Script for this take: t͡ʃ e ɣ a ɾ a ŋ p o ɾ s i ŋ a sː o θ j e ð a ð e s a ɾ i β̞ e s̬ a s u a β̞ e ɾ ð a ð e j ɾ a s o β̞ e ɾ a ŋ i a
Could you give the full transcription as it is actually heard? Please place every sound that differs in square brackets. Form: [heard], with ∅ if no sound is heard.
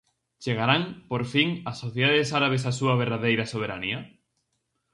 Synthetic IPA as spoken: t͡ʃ e ɣ a ɾ a ŋ p o ɾ [f] i ŋ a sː o θ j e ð a ð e s a ɾ [a] β̞ e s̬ a s u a β̞ e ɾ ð a ð e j ɾ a s o β̞ e ɾ a [n] i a